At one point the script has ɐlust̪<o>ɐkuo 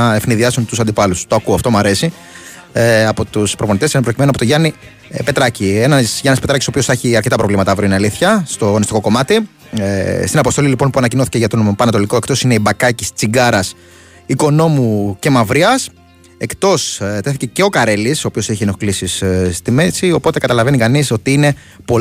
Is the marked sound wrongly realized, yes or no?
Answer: no